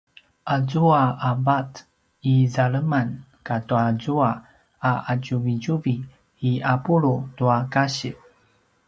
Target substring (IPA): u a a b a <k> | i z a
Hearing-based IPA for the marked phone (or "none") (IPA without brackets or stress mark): t